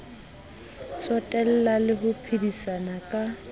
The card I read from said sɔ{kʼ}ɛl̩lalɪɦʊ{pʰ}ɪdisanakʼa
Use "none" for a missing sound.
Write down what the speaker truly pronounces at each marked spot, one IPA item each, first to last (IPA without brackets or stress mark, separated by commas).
tʼ, pʰ